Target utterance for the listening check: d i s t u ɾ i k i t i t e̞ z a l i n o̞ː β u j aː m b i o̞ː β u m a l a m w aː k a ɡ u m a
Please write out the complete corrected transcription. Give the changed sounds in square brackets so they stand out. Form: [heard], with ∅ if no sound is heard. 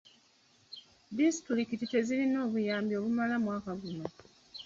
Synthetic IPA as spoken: d i s t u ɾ i k i t i t e̞ z [i] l i n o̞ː β u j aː m b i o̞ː β u m a l a m w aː k a ɡ u m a